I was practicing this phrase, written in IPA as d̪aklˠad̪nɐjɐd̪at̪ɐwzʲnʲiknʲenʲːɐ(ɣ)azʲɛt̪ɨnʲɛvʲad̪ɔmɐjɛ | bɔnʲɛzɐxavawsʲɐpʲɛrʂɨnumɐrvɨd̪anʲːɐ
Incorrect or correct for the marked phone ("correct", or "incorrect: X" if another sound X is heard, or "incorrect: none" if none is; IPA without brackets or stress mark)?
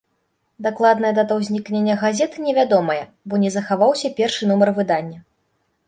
correct